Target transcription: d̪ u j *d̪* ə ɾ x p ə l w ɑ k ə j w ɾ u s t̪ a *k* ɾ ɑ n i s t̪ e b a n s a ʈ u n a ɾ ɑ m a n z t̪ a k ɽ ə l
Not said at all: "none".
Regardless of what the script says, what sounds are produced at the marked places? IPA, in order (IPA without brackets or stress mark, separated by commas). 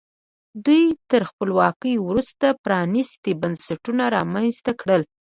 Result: t̪, p